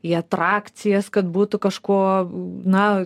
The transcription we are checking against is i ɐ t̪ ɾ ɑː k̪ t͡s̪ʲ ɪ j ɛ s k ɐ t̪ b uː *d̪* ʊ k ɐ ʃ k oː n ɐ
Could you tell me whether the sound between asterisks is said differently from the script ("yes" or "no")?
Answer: yes